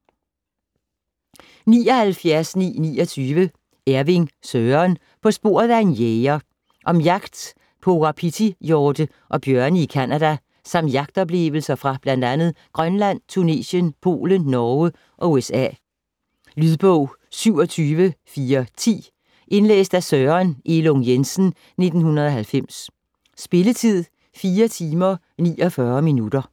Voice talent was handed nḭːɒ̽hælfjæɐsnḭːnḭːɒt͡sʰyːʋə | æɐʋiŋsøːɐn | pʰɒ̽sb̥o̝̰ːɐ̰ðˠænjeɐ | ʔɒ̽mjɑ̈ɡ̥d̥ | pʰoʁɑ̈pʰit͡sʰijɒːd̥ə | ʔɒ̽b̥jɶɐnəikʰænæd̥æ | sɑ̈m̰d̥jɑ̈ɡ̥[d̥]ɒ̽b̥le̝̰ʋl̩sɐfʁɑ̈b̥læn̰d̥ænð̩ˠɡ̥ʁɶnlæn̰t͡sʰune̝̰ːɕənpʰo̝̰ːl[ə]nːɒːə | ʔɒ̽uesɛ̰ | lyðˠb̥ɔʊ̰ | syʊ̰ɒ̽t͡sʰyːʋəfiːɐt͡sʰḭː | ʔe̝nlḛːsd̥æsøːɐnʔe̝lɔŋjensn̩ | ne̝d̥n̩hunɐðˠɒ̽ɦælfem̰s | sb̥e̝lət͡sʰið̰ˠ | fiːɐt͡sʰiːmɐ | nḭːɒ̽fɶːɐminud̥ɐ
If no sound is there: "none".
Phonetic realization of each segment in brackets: d̥, ə

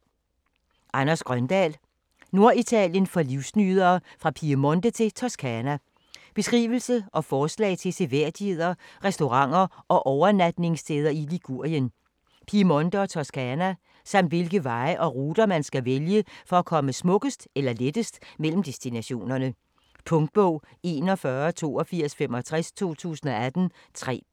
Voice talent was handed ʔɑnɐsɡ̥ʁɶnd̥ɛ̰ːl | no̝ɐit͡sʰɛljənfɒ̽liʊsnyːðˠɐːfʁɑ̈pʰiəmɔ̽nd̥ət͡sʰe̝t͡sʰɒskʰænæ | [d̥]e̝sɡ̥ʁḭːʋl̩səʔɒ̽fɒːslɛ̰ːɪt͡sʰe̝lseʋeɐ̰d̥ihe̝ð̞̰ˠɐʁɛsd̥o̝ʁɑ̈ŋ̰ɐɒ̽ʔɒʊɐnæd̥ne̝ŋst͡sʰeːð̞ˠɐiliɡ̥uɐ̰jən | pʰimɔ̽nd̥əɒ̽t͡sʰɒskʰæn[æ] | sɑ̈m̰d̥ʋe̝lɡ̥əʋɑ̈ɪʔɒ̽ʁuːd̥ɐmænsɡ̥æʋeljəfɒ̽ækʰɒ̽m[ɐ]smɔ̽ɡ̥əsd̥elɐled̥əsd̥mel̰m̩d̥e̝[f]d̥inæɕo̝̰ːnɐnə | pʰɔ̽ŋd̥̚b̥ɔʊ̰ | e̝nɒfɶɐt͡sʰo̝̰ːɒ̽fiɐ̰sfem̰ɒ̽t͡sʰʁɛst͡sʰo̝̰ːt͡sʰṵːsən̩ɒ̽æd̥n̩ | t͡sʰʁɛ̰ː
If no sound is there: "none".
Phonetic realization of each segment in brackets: b̥, æ, ə, s

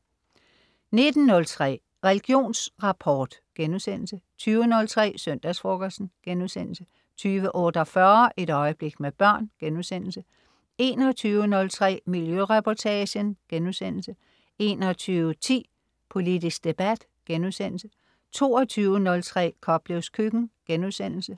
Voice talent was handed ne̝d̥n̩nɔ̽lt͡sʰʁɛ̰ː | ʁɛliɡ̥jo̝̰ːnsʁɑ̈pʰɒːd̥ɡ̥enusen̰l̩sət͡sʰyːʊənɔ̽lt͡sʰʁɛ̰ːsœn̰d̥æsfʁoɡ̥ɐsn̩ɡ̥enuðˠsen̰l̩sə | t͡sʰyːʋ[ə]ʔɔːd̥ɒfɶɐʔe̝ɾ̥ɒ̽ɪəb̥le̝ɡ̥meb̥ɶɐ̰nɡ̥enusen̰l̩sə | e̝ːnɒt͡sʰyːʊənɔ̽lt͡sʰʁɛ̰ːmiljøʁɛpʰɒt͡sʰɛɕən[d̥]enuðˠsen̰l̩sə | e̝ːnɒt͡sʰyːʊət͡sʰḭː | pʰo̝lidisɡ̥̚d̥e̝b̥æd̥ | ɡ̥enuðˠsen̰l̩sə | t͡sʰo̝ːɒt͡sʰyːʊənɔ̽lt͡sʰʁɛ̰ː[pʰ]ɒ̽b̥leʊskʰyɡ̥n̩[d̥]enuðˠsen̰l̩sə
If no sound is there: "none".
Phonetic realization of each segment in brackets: ə, ɡ̥, kʰ, ɡ̥

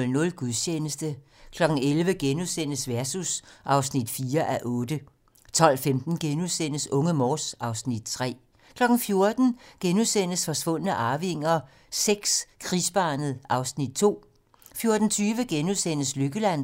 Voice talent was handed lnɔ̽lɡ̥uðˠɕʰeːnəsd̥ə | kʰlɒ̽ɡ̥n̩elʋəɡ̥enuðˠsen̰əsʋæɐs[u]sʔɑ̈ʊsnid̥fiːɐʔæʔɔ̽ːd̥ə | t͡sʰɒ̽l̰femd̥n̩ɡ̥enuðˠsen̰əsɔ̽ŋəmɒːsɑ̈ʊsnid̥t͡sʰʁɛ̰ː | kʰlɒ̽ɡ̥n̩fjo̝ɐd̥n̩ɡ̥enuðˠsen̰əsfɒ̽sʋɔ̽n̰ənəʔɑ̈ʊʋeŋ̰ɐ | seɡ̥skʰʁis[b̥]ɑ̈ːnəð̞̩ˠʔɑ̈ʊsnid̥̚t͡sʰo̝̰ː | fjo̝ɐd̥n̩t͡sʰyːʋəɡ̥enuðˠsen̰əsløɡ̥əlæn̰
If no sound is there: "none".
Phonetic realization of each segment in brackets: u, b̥

